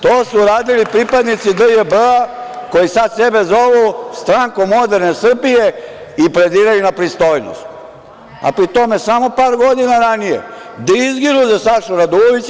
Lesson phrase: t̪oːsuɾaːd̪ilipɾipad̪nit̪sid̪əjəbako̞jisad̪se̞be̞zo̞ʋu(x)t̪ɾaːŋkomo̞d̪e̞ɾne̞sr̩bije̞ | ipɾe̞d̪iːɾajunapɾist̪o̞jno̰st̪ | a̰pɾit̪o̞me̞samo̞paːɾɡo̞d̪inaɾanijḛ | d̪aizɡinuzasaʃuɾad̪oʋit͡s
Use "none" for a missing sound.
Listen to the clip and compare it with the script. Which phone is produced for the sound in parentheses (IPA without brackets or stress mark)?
s